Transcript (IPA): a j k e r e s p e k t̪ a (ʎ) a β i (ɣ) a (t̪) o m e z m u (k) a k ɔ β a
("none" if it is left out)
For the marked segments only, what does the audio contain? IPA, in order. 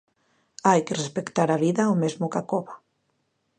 ɾ, ð, none, k

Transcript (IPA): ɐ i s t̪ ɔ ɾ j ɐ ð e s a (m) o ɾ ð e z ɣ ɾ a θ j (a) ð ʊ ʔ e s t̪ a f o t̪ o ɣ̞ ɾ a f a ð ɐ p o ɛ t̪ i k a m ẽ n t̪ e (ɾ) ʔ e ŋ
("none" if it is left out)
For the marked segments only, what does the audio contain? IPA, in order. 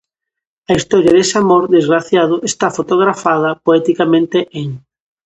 m, a, none

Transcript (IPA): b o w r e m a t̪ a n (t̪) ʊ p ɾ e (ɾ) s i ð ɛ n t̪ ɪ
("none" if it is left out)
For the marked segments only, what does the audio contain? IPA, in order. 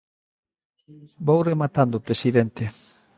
d̪, none

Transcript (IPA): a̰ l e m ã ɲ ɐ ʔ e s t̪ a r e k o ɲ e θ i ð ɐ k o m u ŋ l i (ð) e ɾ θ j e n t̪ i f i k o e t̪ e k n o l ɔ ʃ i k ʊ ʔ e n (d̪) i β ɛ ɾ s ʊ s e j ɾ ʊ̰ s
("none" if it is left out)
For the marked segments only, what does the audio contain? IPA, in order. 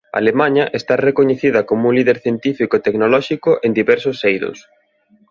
ð, d̪

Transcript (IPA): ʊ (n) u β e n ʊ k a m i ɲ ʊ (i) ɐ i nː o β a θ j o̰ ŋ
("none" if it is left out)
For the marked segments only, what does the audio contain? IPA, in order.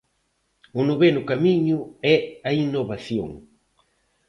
n, ɛ

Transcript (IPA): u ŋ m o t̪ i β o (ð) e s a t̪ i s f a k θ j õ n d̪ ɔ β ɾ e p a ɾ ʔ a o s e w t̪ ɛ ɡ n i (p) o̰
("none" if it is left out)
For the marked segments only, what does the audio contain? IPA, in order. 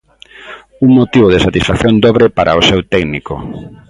ð, k

